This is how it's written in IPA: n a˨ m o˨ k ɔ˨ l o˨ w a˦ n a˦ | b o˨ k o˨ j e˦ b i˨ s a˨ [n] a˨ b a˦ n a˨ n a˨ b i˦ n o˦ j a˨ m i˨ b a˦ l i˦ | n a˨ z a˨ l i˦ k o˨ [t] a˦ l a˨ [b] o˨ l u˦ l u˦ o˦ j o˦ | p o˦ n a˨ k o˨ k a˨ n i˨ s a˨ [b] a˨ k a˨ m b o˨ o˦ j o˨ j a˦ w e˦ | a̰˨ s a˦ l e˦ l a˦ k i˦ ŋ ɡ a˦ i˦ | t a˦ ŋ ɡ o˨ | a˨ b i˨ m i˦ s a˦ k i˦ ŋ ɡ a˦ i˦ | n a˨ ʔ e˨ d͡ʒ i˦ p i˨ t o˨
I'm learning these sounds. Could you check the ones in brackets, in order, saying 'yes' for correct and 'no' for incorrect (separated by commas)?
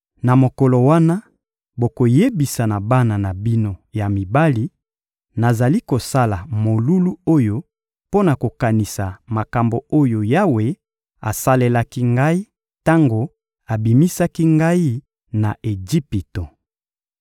yes, no, no, no